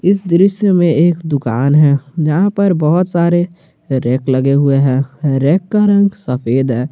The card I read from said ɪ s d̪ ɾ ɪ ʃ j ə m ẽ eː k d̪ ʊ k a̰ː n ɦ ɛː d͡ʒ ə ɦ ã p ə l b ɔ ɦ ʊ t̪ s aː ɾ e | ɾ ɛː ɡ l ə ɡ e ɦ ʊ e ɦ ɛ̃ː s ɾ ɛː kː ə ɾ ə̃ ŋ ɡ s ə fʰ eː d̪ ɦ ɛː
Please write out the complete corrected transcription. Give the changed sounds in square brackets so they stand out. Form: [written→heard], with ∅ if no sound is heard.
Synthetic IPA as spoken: ɪ s d̪ ɾ ɪ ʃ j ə m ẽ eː k d̪ ʊ k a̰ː n ɦ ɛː d͡ʒ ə ɦ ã p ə [l→ɾ] b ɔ ɦ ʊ t̪ s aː ɾ e | ɾ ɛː [ɡ→k] l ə ɡ e ɦ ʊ e ɦ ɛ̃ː [s→∅] ɾ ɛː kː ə ɾ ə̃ ŋ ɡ s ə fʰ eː d̪ ɦ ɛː